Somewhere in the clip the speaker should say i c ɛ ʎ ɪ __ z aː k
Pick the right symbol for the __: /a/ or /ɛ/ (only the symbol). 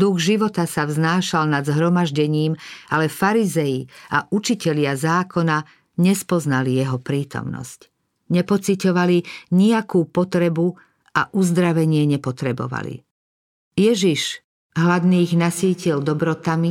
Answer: a